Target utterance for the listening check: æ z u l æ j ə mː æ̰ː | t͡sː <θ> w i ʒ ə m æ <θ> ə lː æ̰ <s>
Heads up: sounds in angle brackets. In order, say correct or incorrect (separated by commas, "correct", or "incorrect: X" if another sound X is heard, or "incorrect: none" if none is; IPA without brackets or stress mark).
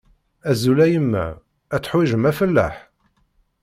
incorrect: ħ, incorrect: f, incorrect: ħ